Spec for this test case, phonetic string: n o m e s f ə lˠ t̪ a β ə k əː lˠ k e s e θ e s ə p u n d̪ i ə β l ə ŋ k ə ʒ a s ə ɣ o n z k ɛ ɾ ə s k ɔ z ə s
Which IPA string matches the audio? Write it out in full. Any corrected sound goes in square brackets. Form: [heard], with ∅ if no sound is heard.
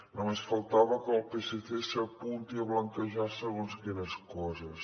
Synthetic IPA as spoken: n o m e s f ə lˠ t̪ a β ə k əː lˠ [p] e s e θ e s ə p u n [t̪] i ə β l ə ŋ k ə ʒ a s ə ɣ o n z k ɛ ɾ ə s k ɔ z ə s